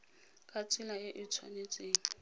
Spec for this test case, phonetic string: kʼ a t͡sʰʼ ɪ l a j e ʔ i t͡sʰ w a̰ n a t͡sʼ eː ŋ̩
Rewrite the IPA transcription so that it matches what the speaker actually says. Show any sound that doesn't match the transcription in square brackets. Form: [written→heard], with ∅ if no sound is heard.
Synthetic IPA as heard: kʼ a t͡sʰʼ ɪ l a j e ʔ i t͡sʰ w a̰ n [a→e] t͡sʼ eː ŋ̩